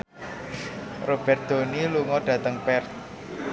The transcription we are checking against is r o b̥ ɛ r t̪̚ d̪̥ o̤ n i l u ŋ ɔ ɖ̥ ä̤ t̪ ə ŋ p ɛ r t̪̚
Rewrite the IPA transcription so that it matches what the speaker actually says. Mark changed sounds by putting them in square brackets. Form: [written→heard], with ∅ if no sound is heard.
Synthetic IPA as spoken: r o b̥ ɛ r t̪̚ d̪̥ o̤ n i l u ŋ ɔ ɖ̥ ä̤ t̪ ə ŋ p ɛ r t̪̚